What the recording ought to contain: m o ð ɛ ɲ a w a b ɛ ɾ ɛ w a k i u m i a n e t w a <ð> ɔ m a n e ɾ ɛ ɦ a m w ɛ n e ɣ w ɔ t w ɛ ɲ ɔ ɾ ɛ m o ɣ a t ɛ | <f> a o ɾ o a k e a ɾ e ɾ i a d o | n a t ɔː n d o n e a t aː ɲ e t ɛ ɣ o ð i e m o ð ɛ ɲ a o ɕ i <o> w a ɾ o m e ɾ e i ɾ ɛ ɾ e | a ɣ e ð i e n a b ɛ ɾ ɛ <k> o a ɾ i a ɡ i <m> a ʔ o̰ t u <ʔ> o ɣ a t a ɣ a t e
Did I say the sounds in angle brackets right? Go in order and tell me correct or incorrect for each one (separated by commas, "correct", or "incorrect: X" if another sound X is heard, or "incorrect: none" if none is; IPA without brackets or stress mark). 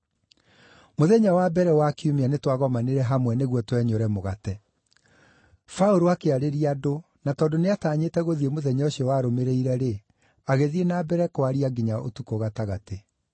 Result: incorrect: ɣ, correct, incorrect: ɔ, correct, incorrect: ɲ, incorrect: k